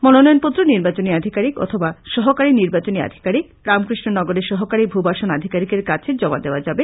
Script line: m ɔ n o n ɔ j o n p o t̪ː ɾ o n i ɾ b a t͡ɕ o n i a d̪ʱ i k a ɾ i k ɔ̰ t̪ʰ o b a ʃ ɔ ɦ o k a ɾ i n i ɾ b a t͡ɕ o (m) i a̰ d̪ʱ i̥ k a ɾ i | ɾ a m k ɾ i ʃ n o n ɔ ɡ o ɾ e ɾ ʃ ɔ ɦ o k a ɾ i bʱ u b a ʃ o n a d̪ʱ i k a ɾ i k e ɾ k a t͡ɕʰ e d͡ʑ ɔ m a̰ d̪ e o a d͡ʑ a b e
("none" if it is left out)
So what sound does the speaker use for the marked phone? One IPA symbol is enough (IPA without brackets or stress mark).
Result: n